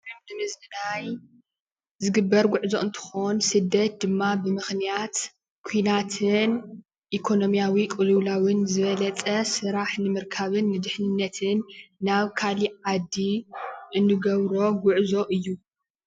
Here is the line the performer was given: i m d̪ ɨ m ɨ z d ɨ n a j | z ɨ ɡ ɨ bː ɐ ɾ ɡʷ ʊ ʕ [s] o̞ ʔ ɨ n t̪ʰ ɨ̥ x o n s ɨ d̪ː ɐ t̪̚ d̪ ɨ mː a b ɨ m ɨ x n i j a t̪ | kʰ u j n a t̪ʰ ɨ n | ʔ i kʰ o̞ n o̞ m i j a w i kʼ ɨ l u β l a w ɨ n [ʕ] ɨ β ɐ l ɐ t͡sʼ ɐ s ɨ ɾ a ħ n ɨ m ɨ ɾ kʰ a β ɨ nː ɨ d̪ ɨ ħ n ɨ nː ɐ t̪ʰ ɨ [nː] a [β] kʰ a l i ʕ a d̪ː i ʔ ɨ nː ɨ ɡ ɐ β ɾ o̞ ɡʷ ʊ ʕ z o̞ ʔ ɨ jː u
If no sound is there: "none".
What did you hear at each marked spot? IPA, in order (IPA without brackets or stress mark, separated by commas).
z, z, nː, β